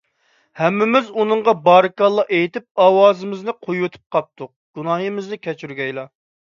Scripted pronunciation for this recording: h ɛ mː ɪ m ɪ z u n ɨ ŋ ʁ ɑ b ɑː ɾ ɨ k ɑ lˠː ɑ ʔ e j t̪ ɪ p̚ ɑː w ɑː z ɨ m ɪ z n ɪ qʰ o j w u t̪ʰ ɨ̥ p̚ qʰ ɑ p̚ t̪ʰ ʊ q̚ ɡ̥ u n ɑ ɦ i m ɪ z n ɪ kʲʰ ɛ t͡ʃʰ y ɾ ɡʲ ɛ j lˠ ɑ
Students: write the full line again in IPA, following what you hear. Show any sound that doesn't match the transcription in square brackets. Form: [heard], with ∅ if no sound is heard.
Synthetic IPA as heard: h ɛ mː ɪ m ɪ z u n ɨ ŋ ʁ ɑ b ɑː ɾ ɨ k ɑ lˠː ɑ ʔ e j t̪ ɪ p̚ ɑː w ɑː z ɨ m ɪ z n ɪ qʰ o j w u t̪ʰ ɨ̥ p̚ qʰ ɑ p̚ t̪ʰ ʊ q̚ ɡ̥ u n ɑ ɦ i m ɪ z n ɪ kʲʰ ɛ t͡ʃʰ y ɾ ɡʲ ɛ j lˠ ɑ